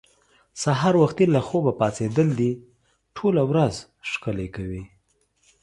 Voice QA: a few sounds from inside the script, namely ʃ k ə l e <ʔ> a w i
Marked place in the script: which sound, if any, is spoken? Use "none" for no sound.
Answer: k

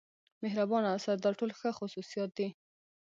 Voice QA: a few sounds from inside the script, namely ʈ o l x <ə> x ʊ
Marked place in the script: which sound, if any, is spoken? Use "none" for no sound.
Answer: ə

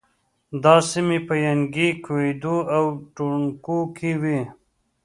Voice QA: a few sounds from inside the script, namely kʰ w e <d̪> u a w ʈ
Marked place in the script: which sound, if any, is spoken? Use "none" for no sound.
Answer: d̪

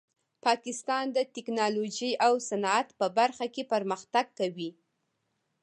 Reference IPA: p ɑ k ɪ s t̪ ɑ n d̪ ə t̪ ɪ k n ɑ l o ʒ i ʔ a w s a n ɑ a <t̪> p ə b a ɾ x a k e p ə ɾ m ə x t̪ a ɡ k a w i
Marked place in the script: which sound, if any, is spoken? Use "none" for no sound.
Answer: t̪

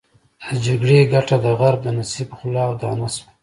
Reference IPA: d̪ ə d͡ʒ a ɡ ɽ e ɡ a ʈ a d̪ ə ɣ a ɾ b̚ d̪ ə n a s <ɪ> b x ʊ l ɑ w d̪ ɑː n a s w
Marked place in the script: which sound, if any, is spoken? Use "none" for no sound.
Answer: i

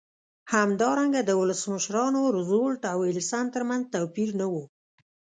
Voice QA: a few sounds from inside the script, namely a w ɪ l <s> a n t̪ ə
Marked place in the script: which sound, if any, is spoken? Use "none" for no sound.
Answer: s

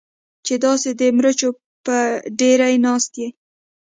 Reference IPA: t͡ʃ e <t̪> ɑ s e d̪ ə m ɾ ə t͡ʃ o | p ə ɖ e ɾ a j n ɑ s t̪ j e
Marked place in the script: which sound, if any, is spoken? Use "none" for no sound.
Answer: d̪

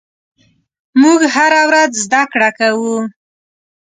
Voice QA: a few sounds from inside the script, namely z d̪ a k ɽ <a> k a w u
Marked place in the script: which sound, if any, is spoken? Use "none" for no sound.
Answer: a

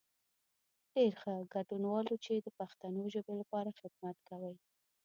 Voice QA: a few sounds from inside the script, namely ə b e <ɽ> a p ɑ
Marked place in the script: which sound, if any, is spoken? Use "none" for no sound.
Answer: l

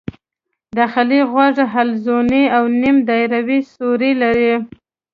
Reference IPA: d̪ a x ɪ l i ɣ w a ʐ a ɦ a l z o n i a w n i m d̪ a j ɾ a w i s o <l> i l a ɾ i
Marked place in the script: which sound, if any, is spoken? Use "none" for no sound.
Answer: ɾ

